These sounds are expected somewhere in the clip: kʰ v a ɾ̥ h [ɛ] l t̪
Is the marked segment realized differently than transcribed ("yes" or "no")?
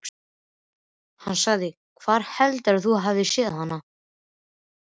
no